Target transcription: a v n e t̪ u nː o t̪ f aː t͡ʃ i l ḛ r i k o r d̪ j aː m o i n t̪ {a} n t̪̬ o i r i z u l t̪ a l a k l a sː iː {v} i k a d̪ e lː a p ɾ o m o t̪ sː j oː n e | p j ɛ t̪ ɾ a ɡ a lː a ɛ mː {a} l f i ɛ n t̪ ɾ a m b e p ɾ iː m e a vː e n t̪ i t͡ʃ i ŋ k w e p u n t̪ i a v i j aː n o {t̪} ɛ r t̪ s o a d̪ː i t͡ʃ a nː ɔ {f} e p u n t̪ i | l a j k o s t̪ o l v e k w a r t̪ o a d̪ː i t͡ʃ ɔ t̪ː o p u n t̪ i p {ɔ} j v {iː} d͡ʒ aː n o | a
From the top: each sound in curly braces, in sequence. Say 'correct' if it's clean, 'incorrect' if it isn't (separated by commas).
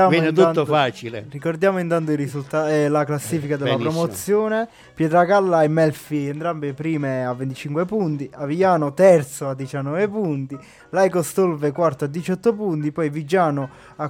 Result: correct, incorrect, incorrect, correct, incorrect, correct, incorrect